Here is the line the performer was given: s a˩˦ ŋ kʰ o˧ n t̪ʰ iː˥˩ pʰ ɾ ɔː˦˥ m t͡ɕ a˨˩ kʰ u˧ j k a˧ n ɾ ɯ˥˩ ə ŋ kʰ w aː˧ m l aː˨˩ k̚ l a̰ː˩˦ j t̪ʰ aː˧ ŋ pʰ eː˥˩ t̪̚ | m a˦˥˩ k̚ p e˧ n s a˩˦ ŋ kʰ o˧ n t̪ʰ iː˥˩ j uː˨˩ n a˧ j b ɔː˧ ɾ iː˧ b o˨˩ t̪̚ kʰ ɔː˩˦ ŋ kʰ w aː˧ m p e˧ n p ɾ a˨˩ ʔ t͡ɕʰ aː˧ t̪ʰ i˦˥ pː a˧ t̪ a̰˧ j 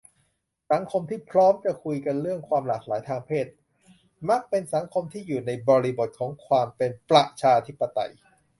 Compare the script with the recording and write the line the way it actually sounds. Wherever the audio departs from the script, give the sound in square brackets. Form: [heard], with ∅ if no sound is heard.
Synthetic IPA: s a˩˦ ŋ kʰ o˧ [m] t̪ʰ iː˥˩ pʰ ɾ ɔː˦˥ m t͡ɕ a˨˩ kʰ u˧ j k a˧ n ɾ ɯ˥˩ ə ŋ kʰ w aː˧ m l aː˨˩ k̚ l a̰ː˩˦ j t̪ʰ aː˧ ŋ pʰ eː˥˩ t̪̚ | m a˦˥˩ k̚ p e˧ n s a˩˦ ŋ kʰ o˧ [m] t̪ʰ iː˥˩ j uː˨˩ n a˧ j b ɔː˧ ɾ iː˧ b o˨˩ t̪̚ kʰ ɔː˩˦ ŋ kʰ w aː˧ m p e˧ n p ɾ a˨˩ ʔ t͡ɕʰ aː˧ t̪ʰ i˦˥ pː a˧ t̪ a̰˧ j